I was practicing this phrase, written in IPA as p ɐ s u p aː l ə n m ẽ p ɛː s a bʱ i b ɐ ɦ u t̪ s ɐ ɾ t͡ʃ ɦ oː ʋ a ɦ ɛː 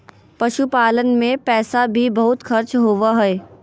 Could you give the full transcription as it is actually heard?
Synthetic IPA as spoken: p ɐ ʃ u p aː l ə n m ẽ p ɛː s a bʱ i b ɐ ɦ ʊ t̪ x ɐ ɾ t͡ʃ ɦ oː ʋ a ɦ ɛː